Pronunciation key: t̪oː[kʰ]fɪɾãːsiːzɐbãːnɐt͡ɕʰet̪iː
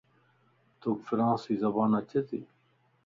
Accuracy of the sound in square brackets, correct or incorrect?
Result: incorrect